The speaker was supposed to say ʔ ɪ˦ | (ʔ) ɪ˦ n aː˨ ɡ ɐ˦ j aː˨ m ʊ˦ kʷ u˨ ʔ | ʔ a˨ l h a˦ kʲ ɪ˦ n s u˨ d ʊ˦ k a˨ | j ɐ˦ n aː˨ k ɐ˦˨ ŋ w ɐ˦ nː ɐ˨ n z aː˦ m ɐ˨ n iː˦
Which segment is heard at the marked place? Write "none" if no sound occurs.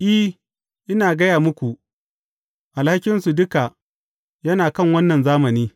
ʔ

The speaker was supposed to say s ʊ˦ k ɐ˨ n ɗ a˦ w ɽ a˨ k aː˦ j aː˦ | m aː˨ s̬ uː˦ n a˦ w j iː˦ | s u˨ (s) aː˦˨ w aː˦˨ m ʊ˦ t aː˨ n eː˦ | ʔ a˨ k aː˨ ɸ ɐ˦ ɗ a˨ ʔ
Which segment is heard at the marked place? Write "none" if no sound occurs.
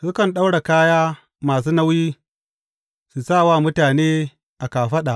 s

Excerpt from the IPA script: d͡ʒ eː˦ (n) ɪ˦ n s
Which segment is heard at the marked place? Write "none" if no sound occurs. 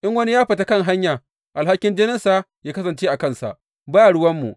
n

